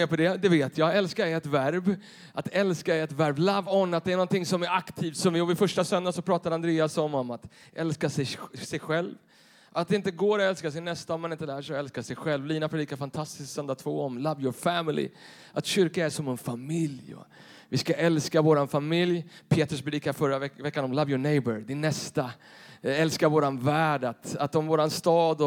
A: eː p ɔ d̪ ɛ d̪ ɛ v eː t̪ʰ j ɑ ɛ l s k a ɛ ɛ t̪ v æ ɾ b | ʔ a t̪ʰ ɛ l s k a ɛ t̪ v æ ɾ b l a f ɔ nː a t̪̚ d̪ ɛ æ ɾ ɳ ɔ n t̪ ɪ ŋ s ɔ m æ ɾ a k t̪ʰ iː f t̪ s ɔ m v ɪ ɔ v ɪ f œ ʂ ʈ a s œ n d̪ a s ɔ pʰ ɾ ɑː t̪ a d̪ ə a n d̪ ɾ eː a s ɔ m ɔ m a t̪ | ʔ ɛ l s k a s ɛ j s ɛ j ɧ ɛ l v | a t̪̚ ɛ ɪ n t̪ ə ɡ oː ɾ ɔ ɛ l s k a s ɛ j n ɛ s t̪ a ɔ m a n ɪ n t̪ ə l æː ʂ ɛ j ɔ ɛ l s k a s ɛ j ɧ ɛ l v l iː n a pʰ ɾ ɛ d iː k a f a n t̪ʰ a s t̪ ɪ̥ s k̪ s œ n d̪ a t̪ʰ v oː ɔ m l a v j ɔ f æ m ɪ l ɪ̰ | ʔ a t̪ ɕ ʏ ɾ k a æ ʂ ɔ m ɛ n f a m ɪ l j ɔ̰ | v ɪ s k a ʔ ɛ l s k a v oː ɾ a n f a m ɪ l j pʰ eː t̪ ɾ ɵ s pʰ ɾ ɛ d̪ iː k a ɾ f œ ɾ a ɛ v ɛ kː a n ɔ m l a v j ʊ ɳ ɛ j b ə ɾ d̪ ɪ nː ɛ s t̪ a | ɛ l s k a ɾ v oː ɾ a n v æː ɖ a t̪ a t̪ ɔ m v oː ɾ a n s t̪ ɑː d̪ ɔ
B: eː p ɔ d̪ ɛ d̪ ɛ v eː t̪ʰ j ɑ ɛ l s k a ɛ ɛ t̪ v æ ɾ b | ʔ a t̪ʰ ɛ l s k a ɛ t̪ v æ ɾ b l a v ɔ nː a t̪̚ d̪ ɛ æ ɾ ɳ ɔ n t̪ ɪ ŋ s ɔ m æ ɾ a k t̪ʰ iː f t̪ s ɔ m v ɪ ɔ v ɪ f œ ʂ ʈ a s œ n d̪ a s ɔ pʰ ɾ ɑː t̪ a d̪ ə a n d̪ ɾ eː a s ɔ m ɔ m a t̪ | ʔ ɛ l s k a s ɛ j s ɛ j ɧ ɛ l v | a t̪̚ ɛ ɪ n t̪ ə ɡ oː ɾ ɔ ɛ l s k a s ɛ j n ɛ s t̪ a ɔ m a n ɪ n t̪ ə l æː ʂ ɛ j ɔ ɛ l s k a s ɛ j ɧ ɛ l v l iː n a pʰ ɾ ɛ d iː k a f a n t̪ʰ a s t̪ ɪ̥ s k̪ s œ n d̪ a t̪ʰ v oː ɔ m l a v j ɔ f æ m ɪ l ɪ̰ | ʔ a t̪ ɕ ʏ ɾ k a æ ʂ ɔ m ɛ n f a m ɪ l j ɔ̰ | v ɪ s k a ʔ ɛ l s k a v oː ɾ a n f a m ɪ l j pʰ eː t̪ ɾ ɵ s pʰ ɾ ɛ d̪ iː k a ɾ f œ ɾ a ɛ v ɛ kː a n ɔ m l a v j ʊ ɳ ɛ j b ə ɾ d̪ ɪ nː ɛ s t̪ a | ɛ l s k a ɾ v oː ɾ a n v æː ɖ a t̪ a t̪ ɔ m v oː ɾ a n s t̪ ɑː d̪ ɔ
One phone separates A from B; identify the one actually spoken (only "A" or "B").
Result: B